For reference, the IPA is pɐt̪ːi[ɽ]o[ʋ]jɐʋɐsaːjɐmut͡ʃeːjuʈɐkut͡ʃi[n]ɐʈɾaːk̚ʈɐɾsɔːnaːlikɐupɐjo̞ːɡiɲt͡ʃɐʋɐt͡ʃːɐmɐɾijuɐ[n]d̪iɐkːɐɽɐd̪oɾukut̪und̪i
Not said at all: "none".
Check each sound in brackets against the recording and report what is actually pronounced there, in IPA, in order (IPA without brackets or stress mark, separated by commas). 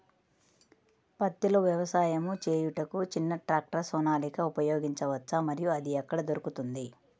l, ʋ, nː, none